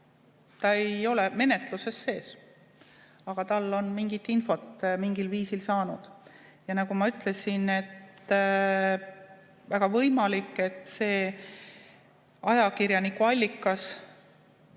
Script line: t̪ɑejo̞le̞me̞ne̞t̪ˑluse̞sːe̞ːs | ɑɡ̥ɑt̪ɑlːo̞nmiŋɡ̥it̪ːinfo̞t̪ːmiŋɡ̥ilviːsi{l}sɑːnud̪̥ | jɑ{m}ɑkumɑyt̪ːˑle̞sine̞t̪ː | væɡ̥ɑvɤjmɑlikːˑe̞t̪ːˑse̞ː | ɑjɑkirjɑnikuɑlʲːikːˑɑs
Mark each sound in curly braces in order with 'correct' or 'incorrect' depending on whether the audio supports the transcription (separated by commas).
correct, incorrect